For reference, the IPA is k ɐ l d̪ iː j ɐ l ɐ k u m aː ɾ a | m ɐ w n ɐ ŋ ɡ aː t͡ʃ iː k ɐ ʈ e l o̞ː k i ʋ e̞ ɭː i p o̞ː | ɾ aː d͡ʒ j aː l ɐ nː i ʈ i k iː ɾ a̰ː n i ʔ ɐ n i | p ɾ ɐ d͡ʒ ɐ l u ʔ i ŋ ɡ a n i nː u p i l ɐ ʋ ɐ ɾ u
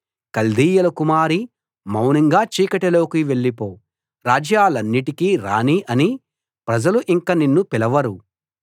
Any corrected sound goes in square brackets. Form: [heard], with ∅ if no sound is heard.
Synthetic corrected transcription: k ɐ l d̪ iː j ɐ l ɐ k u m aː ɾ [i] | m ɐ w n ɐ ŋ ɡ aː t͡ʃ iː k ɐ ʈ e l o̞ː k i ʋ e̞ ɭː i p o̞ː | ɾ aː d͡ʒ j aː l ɐ nː i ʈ i k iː ɾ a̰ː n i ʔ ɐ n i | p ɾ ɐ d͡ʒ ɐ l u ʔ i ŋ [k] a n i nː u p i l ɐ ʋ ɐ ɾ u